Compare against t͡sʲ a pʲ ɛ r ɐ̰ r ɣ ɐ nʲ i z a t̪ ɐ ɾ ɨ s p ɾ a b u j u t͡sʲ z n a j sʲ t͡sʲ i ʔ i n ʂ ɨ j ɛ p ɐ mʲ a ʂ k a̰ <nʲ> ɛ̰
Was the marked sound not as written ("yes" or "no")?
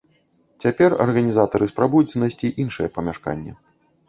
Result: yes